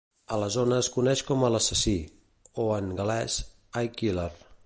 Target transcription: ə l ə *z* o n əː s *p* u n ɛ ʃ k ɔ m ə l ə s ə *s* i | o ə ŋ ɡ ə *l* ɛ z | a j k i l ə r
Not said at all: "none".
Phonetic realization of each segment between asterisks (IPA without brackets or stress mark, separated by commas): z, k, s, l